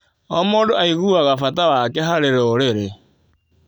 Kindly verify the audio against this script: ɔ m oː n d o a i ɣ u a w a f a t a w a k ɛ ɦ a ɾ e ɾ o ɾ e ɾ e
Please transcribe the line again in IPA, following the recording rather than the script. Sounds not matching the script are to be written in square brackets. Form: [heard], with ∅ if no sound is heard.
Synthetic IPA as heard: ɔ m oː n d o a i ɣ u a [ɣ] a f a t a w a k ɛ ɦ a ɾ e ɾ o ɾ e ɾ e